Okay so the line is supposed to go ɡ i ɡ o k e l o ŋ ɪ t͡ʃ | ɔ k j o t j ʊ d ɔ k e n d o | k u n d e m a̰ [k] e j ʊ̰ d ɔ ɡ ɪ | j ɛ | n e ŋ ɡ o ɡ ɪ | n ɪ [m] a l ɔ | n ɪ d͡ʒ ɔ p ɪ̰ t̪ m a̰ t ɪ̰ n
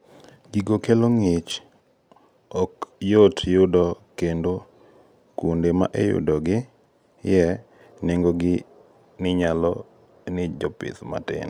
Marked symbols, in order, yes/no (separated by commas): no, no